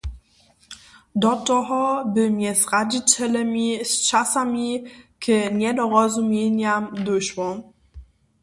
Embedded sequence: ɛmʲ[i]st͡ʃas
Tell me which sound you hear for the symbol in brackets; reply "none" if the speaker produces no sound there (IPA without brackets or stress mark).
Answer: i